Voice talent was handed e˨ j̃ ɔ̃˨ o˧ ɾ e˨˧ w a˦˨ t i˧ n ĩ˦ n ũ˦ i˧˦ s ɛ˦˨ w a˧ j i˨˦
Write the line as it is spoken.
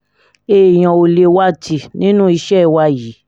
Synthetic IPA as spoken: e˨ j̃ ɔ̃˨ o˧ l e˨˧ w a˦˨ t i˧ n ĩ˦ n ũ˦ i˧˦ ʃ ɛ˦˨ w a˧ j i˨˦